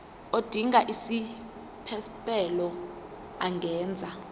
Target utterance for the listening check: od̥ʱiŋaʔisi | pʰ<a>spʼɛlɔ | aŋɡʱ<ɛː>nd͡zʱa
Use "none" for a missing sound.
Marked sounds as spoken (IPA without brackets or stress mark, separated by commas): ɛ, ɛː